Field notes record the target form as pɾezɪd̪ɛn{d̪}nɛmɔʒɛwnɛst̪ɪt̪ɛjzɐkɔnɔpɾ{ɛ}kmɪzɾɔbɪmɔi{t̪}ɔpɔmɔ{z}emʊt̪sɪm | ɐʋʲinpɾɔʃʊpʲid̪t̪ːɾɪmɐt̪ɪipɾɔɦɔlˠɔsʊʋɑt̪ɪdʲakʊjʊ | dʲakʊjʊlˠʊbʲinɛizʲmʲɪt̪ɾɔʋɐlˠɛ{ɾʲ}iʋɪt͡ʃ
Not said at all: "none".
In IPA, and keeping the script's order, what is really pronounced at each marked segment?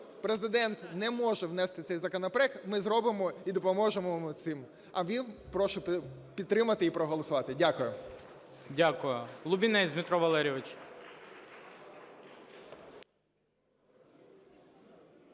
t̪, ɛ, d̪, ʒ, ɾʲ

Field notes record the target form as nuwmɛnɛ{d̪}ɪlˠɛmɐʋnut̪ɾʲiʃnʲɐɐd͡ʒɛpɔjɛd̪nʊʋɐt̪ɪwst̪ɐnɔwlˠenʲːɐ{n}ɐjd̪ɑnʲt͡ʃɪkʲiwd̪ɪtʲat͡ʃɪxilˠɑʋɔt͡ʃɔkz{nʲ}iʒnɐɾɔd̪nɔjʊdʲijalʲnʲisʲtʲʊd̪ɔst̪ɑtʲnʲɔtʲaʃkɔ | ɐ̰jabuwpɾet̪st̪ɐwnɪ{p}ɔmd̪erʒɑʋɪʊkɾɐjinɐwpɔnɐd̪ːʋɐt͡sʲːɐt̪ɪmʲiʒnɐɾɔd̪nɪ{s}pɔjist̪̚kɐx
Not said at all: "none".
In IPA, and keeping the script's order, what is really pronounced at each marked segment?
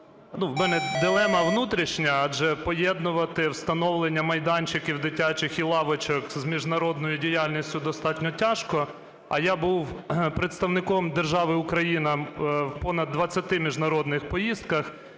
d̪, m, mʲ, k, x

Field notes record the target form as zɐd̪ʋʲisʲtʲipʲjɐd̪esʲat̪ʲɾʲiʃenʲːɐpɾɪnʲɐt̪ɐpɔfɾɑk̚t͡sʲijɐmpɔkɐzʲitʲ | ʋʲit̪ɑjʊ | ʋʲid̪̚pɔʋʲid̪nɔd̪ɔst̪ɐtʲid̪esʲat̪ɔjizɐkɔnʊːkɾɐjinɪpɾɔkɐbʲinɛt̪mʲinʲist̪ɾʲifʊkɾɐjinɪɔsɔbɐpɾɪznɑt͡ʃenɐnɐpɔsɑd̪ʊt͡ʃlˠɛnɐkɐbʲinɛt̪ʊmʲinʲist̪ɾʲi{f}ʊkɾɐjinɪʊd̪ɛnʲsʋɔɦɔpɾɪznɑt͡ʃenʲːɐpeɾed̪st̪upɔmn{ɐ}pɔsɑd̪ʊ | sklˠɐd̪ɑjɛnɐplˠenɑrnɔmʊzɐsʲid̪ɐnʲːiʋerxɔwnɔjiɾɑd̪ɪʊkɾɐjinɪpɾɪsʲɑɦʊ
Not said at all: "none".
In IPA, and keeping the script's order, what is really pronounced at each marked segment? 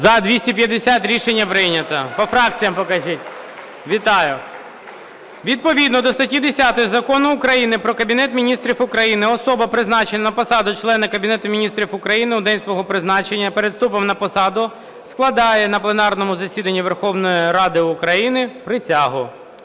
f, ɐ

